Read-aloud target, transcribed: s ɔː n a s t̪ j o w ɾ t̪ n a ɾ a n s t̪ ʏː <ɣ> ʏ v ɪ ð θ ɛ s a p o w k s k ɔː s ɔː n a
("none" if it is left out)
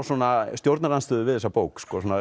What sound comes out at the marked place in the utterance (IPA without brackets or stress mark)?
ð